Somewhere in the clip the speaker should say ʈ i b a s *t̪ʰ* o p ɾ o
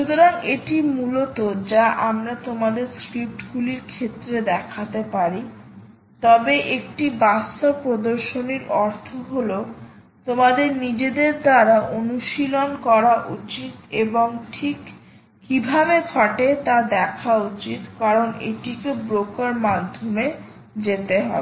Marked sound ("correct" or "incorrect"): incorrect